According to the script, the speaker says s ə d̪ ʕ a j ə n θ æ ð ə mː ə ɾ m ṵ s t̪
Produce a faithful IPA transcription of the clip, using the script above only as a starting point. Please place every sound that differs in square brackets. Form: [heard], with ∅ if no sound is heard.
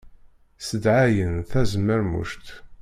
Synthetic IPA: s ə d̪ ʕ a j ə n θ æ [z] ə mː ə ɾ m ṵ [ʃ] t̪